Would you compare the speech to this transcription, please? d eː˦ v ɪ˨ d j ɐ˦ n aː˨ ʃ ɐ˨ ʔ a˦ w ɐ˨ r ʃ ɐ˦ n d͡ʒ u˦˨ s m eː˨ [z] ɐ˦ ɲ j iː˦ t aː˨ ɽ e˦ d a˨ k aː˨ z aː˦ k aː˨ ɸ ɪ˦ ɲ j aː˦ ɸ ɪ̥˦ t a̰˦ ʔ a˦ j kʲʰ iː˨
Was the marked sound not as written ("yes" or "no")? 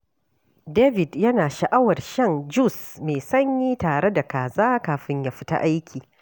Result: yes